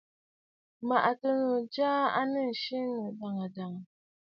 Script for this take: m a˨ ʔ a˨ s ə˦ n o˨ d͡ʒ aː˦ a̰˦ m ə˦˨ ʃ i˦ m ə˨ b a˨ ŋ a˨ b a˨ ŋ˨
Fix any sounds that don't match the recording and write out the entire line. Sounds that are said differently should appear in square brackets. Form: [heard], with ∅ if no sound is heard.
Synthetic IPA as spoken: m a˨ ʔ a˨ [t] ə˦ n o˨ d͡ʒ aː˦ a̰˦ [n] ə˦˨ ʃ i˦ [n] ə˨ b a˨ ŋ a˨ [d] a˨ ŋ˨

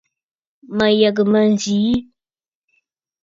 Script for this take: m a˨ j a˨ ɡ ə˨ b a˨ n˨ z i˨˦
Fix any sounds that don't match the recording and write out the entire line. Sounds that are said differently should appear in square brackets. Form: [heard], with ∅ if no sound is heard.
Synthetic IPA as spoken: m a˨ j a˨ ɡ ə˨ [m] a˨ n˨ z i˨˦

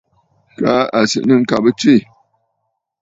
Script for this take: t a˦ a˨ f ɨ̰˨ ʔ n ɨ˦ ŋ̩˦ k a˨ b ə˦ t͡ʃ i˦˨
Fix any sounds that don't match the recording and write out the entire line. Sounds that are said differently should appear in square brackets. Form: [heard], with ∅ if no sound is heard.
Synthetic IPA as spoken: [k] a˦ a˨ [s] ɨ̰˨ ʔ n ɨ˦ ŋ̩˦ k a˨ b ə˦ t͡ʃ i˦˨

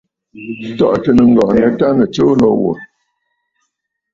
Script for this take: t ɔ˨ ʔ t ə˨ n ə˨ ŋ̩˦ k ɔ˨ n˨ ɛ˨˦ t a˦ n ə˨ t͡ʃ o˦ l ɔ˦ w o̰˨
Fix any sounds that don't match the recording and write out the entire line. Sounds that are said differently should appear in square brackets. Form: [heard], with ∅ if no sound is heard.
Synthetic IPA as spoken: t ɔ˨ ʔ t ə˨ n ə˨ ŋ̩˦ [ɡ] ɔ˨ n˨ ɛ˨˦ t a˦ n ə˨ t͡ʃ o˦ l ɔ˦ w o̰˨

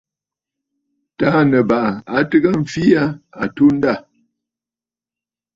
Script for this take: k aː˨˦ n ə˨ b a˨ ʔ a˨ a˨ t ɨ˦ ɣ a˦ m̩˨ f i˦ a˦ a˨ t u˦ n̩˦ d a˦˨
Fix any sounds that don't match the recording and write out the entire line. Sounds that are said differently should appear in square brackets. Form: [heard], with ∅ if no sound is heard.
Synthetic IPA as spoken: [t] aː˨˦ n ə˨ b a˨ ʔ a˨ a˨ t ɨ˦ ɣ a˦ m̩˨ f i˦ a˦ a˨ t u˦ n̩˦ d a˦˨

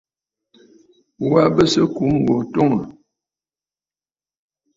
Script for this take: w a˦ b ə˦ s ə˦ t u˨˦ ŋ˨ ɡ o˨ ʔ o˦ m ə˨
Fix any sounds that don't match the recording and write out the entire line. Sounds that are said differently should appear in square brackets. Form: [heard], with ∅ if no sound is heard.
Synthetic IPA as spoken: w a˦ b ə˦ s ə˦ [k] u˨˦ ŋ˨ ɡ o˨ [t] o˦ [ŋ] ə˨

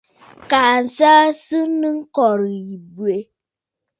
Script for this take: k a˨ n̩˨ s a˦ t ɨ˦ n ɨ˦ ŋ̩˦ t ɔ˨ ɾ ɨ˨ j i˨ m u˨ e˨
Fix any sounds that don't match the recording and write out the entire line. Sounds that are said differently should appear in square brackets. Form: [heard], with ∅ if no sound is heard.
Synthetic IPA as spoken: k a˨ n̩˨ s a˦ [s] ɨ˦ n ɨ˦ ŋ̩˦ [k] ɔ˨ ɾ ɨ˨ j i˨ [b] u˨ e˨

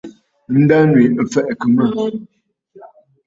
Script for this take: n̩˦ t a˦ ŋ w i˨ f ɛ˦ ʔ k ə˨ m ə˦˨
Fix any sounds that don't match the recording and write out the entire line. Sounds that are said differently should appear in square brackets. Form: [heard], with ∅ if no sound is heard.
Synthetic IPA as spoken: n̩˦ [d] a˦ [n] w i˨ f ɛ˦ ʔ k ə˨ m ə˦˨

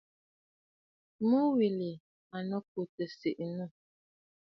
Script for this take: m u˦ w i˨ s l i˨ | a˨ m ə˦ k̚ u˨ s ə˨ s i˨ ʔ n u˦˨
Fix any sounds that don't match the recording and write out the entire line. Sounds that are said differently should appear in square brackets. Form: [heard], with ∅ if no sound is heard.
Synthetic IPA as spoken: m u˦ w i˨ [∅] l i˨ | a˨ [n] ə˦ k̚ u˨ [t] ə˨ s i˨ ʔ n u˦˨

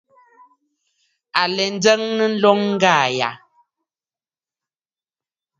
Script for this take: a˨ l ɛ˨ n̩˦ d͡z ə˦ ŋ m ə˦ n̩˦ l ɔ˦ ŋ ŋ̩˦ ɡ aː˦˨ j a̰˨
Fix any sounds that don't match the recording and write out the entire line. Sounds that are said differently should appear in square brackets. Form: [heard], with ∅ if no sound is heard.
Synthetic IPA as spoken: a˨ l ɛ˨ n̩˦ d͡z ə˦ ŋ [n] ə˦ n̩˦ l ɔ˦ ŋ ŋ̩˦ ɡ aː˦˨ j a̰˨

